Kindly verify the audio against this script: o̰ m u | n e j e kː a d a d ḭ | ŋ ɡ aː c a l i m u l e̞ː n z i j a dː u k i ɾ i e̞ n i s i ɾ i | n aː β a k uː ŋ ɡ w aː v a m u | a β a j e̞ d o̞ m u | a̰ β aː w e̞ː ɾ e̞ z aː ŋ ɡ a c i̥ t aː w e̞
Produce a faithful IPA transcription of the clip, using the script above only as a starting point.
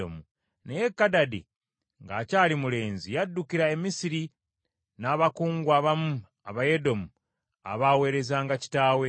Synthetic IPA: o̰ m u | n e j e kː a d a d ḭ | ŋ ɡ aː c a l i m u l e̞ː n z i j a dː u k i ɾ a e̞ m i s i ɾ i | n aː β a k uː ŋ ɡ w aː β a m u | a β a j e̞ d o̞ m u | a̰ β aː w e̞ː ɾ e̞ z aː ŋ ɡ a c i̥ t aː w e̞